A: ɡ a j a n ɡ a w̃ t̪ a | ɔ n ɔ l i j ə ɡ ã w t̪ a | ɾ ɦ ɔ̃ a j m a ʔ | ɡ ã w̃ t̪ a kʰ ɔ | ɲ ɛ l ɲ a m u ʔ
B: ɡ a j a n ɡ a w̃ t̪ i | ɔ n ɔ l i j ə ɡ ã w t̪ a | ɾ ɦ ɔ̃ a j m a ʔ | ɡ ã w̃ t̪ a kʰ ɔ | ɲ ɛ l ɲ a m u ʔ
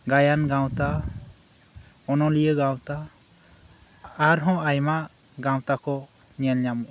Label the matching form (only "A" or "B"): A